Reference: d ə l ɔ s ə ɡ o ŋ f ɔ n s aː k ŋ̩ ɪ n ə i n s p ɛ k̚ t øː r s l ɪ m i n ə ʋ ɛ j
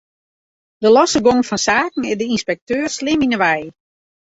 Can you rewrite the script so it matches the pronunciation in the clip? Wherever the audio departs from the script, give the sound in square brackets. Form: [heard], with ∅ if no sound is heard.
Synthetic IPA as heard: d ə l ɔ s ə ɡ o ŋ f ɔ n s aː k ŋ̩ ɪ [d] ə i n s p ɛ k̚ t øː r s l ɪ m i n ə ʋ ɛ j

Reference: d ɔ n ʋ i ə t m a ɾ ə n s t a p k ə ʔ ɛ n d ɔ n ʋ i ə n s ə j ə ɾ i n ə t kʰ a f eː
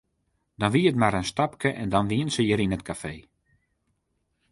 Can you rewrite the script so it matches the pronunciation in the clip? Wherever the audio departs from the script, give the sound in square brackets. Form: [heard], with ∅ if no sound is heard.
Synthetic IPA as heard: d ɔ n ʋ i ə t m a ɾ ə n s t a p k ə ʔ ɛ n d ɔ n ʋ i ə n s ə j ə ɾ i n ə t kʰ a f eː

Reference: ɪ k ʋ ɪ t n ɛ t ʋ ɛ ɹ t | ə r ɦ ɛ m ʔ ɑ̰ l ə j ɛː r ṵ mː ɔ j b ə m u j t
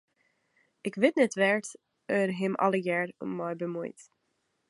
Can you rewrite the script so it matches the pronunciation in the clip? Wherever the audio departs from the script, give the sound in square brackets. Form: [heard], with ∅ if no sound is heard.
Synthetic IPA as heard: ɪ k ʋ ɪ t n ɛ t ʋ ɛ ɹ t | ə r ɦ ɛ m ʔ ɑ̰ l ə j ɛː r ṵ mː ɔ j b ə m u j t

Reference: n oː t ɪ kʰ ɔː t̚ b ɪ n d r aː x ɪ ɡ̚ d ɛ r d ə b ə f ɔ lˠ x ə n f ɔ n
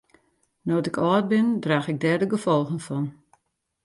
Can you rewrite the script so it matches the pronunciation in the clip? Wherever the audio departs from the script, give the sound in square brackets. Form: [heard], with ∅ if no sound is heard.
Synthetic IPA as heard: n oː t ɪ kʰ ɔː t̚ b ɪ n d r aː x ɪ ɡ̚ d ɛ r d ə [ɡ] ə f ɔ lˠ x ə n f ɔ n

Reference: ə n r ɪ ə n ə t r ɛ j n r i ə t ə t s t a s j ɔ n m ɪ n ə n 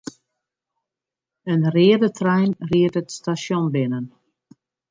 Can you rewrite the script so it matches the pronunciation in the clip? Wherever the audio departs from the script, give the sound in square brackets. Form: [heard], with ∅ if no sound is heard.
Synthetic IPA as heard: ə n r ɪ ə [d] ə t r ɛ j n r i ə t ə t s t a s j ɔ n [b] ɪ n ə n

